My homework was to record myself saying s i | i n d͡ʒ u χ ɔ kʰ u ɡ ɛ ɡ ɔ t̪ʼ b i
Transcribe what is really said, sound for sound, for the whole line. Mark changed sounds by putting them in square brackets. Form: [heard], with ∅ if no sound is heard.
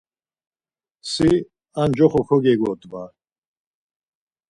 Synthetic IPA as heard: s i | [a] n d͡ʒ [ɔ] χ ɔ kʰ [ɔ] ɡ ɛ ɡ ɔ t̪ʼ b [a]